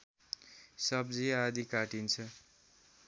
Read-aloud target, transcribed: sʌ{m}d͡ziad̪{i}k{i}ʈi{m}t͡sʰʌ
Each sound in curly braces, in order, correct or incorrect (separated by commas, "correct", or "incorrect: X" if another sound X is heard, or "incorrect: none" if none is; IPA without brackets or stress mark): incorrect: b, correct, incorrect: a, incorrect: n